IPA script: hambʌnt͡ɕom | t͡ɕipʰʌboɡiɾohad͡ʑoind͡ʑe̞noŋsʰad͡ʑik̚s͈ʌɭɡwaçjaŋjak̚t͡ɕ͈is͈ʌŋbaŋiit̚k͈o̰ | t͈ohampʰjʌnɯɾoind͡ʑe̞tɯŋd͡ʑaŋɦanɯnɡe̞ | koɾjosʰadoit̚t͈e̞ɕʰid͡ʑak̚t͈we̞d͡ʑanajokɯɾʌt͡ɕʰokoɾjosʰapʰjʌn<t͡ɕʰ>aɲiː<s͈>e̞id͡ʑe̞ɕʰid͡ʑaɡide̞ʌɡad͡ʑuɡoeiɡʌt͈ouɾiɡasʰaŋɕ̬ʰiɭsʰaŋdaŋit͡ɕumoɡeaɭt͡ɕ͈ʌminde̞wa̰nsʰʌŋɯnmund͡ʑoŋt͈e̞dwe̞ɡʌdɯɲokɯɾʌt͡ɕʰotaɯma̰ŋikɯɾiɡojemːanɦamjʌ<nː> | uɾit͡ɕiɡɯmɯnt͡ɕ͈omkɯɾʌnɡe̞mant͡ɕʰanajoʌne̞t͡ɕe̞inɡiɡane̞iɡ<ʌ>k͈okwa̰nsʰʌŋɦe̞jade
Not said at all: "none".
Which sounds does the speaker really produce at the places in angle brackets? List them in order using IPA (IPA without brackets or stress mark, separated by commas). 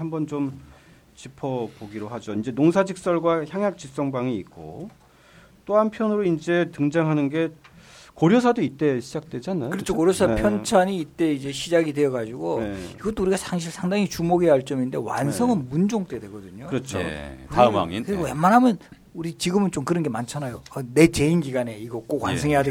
t͡ɕʰ, t͈, n, ʌ